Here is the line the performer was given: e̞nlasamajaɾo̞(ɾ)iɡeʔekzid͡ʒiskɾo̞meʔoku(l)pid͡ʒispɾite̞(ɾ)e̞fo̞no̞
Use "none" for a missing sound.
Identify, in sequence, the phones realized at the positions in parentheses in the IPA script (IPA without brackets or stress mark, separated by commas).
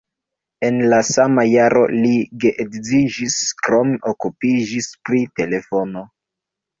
l, none, l